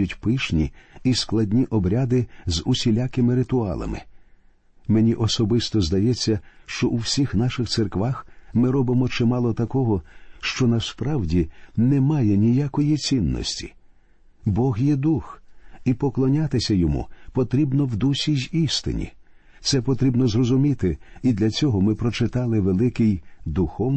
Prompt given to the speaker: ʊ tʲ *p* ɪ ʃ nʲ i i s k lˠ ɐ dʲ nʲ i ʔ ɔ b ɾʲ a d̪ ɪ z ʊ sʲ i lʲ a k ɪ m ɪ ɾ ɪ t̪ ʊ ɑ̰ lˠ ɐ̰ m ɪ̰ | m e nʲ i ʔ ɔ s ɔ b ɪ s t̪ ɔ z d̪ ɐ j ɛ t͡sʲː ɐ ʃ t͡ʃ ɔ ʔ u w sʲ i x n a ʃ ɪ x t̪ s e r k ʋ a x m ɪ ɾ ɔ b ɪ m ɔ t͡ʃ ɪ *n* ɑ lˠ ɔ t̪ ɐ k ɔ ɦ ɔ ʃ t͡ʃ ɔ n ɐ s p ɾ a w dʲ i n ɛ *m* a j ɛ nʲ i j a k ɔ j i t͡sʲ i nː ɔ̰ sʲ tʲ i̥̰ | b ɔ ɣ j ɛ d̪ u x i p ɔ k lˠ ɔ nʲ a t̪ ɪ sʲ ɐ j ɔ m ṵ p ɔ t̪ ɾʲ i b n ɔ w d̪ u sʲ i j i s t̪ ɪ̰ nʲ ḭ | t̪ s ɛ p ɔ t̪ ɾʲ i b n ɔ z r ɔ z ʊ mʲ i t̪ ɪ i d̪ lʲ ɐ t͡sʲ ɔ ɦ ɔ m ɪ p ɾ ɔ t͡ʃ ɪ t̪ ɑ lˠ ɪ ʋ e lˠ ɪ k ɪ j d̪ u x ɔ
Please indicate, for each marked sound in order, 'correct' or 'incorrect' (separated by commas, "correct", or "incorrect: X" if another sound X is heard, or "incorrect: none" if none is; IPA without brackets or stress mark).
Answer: correct, incorrect: m, correct